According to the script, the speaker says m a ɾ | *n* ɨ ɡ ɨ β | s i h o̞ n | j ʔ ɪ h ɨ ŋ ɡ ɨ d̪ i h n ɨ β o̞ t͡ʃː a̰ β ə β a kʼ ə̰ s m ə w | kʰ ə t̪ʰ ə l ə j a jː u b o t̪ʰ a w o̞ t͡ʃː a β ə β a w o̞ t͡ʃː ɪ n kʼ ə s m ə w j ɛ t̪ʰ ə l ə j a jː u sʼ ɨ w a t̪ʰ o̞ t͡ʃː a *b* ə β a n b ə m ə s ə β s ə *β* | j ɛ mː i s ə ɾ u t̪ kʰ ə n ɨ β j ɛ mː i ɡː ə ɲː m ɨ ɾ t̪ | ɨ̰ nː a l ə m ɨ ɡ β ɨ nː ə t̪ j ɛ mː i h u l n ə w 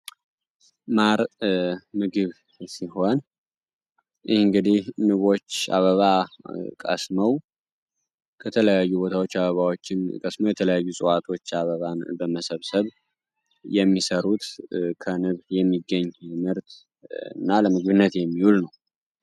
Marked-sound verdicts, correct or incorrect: incorrect: m, incorrect: β, correct

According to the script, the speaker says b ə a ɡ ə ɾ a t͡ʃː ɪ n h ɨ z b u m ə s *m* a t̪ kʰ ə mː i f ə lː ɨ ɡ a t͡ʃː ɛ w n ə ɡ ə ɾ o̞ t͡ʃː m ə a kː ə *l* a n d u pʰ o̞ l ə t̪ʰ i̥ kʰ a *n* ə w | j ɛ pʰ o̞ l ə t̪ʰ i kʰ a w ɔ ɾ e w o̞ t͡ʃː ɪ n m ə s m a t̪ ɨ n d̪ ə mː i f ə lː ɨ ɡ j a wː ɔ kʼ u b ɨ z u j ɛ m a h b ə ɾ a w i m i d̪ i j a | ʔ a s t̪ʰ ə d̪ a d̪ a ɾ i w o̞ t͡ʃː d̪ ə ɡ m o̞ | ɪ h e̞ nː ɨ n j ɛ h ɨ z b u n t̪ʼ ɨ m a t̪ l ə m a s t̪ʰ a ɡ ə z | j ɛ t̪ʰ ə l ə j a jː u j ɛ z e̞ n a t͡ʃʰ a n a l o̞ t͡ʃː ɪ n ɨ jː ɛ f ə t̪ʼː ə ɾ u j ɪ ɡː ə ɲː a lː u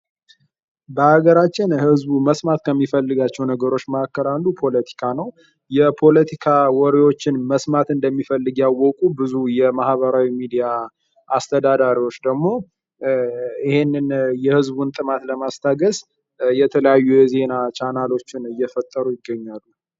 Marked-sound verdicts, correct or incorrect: correct, incorrect: ɾ, correct

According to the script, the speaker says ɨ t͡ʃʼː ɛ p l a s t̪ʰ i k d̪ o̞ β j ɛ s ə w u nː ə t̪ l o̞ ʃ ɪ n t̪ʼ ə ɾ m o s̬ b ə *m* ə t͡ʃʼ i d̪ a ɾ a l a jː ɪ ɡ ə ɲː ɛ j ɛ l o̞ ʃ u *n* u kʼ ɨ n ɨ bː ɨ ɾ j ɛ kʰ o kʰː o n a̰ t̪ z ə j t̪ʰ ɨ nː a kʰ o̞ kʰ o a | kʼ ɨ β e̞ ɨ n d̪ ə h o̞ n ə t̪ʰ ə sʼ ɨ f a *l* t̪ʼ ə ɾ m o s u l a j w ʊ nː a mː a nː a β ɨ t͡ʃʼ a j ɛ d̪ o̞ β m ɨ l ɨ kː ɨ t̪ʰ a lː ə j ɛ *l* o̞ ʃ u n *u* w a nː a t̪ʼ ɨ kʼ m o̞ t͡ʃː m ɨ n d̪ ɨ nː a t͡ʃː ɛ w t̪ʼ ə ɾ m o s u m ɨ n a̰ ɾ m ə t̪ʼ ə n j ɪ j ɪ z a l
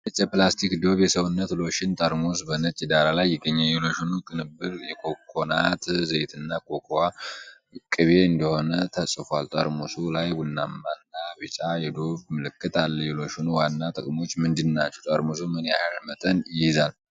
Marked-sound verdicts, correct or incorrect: incorrect: n, correct, correct, correct, correct

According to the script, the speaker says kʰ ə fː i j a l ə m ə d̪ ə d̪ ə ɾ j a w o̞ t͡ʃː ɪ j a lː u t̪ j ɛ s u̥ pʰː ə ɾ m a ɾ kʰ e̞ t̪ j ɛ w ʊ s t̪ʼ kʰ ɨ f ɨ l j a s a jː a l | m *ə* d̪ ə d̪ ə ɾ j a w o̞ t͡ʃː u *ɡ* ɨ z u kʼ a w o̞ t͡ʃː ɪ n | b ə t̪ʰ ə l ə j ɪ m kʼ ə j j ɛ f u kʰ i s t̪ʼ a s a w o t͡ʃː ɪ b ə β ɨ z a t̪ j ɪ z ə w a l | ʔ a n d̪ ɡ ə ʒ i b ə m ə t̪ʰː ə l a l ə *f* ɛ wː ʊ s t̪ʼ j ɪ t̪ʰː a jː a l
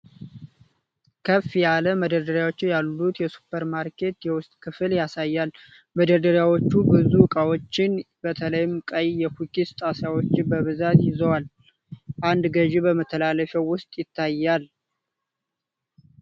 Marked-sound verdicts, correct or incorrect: correct, incorrect: b, correct

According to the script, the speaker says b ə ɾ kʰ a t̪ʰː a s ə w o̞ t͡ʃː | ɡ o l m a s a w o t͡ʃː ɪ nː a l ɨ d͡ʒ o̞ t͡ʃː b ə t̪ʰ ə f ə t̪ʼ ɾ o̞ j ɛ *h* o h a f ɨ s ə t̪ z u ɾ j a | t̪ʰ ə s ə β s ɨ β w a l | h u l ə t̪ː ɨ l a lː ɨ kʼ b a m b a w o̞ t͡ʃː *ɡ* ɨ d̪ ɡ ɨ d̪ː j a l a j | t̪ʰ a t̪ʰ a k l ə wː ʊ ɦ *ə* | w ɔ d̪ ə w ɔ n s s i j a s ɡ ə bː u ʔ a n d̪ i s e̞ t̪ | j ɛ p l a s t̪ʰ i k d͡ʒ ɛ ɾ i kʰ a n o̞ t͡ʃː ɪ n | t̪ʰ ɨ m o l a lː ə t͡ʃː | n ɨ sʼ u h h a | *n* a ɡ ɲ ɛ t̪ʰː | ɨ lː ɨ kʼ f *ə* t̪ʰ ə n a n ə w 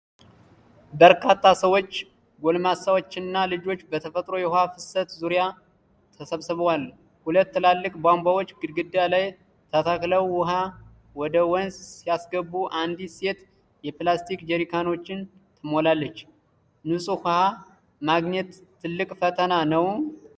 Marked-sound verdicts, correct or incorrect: correct, correct, incorrect: a, incorrect: m, correct

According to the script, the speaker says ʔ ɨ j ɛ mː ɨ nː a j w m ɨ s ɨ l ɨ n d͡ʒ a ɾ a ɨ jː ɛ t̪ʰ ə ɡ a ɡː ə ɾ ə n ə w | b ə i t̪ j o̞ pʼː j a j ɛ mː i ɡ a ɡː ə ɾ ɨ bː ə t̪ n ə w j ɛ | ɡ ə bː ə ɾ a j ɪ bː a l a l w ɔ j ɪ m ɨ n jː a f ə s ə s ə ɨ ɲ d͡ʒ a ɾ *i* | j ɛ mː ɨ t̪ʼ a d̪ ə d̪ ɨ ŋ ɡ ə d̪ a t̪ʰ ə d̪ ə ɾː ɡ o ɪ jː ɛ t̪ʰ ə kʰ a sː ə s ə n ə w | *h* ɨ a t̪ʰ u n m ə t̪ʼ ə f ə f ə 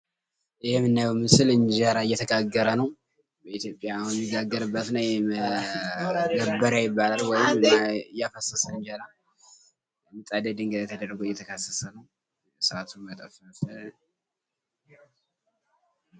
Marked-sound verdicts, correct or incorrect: incorrect: a, incorrect: s

